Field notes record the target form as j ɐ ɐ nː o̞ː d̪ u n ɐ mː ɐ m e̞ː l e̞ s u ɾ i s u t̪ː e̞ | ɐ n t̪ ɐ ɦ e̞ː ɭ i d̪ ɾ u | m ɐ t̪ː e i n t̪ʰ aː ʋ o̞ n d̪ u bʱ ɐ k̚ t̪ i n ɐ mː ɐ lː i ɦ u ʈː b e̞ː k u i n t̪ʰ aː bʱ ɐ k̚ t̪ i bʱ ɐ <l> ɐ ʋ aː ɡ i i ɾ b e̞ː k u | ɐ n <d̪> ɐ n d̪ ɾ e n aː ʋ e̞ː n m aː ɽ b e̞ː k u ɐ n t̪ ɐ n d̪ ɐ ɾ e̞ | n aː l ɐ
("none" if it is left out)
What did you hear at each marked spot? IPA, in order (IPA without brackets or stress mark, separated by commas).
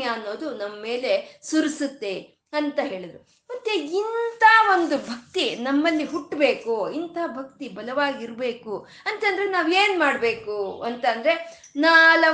l, t̪